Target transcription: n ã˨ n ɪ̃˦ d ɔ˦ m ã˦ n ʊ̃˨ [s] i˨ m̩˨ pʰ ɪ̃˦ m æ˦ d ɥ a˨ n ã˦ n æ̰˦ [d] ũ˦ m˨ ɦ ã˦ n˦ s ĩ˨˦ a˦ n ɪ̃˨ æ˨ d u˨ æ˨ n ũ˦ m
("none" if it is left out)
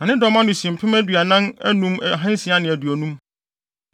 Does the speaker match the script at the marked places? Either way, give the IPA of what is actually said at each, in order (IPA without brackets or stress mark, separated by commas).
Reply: s, n